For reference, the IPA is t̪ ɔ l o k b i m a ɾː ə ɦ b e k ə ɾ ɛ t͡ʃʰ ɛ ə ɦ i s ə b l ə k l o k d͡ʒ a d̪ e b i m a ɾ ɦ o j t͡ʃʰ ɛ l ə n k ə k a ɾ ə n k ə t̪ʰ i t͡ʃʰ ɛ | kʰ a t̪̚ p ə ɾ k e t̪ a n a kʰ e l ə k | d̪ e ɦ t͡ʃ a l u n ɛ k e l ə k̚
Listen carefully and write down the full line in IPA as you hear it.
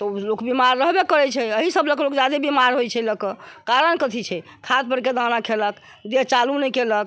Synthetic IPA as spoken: t̪ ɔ l o k b i m a ɾː ə ɦ b e k ə ɾ ɛ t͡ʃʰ ɛ ə ɦ i s ə b l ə k l o k d͡ʒ a d̪ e b i m a ɾ ɦ o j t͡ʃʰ ɛ l ə k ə k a ɾ ə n k ə t̪ʰ i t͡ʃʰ ɛ | kʰ a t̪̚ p ə ɾ k e d̪ a n a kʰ e l ə k | d̪ e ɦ t͡ʃ a l u n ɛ k e l ə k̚